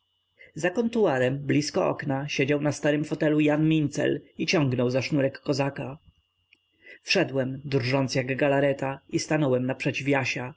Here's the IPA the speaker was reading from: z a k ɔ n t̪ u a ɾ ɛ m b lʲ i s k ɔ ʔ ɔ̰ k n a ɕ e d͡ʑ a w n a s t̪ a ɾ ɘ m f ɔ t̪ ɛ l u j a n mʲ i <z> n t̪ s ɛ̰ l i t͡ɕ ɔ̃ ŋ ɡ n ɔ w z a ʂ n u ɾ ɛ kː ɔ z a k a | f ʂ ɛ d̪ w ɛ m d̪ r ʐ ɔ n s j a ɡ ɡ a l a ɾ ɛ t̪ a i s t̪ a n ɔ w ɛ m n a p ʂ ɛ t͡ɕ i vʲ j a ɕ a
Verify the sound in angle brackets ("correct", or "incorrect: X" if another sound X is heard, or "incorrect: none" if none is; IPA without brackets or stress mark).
incorrect: none